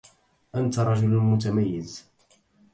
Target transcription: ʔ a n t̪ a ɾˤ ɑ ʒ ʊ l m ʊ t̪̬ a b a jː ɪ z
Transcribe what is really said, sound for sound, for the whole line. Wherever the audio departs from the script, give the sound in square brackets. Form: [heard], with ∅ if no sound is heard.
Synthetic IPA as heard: ʔ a n t̪ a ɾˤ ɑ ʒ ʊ l m ʊ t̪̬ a [m] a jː ɪ z